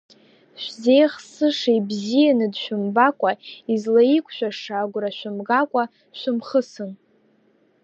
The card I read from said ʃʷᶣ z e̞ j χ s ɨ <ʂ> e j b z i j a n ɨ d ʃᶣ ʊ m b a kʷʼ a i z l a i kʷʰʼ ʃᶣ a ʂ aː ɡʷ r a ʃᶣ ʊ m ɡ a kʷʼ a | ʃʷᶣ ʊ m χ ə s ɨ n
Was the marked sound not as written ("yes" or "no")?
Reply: no